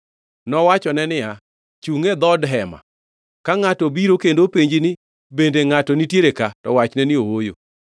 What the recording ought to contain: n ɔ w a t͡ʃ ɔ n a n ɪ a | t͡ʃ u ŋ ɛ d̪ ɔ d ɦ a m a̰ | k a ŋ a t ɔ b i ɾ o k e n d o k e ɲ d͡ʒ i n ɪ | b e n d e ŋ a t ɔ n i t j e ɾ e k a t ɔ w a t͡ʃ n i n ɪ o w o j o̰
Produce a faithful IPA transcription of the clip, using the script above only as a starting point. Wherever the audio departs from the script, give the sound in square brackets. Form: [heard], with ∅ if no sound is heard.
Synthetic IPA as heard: n ɔ w a t͡ʃ ɔ n [ɛ] n ɪ a | t͡ʃ u ŋ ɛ d̪ ɔ d ɦ [ɛ] m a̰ | k a ŋ a t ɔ b i ɾ o k e n d o [p] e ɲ d͡ʒ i n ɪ | b e n d e ŋ a t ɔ n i t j e ɾ e k a t ɔ w a t͡ʃ n [ɛ] n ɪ o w o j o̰